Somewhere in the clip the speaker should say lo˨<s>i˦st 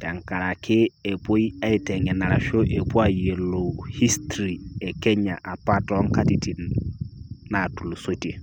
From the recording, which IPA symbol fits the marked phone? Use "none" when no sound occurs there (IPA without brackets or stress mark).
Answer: h